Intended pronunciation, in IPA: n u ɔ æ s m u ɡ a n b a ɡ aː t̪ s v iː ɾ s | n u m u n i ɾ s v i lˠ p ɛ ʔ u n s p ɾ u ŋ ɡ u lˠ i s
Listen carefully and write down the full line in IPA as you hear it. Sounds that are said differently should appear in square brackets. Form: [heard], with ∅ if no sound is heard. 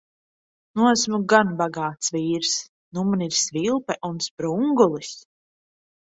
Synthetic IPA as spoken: n u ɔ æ s m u ɡ a n b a ɡ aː t̪ s v iː ɾ s | n u m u n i ɾ s v i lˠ p ɛ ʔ u n s p ɾ u ŋ ɡ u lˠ i s